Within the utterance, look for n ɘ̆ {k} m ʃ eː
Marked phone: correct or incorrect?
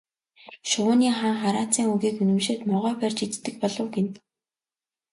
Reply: incorrect